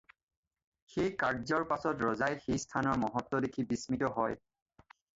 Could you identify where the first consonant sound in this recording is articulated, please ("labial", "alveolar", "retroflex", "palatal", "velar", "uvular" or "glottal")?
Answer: velar